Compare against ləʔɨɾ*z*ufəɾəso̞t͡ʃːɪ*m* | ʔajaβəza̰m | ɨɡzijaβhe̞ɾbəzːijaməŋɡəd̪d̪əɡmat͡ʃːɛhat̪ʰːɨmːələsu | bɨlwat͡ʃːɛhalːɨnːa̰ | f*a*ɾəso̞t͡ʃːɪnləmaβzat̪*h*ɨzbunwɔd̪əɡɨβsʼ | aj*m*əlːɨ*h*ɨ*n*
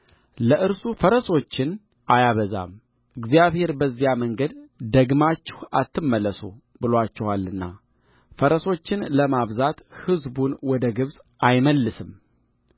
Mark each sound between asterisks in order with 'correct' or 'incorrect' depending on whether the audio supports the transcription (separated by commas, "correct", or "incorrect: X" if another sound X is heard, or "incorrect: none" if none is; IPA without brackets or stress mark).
incorrect: s, incorrect: n, incorrect: ə, correct, correct, incorrect: s, incorrect: m